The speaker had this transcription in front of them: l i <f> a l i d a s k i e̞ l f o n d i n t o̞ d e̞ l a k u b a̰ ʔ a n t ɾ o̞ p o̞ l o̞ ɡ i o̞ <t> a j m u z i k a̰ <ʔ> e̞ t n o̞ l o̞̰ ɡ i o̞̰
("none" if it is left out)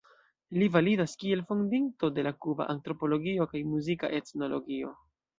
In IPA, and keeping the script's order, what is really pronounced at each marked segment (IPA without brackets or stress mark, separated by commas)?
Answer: v, k, ʔ